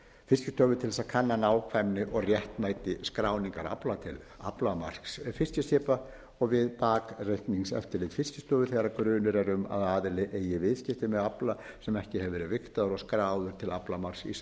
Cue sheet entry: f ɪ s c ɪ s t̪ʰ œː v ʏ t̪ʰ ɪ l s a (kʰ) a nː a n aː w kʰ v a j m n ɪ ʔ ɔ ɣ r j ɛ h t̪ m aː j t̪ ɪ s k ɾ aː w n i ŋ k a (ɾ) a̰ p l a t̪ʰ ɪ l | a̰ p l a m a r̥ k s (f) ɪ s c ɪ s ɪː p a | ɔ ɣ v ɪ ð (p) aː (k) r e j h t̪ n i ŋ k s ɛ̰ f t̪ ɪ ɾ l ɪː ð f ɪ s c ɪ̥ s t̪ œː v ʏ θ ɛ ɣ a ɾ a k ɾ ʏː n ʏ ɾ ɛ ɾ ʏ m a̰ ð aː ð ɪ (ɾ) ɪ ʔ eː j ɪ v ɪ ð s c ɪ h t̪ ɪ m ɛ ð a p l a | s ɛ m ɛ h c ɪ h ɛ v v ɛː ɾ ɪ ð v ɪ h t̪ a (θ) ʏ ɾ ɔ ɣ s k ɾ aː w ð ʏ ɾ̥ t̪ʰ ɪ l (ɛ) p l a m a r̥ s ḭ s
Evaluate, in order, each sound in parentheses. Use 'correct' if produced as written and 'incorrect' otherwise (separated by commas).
correct, correct, correct, correct, correct, incorrect, incorrect, incorrect